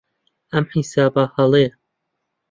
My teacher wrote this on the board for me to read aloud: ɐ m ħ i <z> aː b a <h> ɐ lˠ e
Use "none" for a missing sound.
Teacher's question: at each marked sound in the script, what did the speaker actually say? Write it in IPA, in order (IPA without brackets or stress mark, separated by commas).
s, h